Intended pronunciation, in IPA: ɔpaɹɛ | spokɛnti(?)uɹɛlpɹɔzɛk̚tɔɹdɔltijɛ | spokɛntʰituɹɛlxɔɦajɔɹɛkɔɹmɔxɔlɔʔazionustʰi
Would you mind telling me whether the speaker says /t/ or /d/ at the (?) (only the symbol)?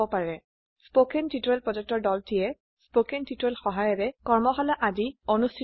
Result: t